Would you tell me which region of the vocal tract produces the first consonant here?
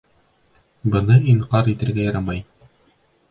lips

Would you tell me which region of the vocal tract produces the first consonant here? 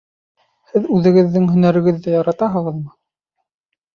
throat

